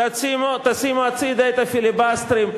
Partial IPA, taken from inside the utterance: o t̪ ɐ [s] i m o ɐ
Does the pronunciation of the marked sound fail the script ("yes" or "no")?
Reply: no